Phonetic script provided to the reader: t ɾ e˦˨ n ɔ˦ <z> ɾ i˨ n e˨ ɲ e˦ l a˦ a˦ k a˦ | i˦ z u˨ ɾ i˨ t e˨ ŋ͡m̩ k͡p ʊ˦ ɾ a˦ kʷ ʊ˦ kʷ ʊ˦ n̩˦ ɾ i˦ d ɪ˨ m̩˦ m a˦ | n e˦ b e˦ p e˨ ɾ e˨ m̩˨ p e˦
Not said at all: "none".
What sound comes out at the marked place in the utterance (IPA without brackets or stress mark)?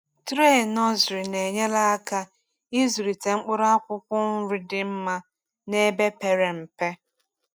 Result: z